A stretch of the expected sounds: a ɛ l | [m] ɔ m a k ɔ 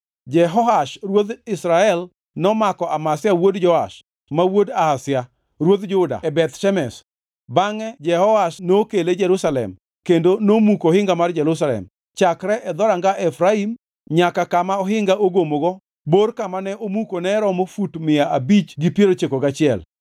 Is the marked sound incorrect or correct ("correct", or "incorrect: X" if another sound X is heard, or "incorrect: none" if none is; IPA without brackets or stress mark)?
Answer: incorrect: n